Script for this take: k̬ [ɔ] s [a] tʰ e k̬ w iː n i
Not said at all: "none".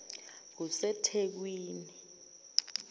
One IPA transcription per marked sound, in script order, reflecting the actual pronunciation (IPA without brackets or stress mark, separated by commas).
u, ɛ